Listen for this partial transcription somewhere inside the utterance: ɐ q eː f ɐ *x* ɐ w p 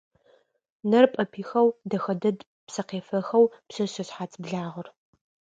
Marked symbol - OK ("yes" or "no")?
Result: yes